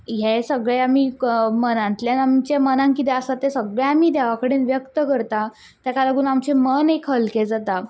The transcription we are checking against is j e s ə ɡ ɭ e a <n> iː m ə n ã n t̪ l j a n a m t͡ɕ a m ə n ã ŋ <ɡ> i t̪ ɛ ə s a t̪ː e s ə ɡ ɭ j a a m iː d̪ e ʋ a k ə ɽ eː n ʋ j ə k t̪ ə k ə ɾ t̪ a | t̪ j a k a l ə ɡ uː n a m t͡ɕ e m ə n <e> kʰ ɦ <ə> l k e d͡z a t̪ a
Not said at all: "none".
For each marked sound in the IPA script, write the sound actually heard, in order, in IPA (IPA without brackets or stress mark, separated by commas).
m, k, e, ə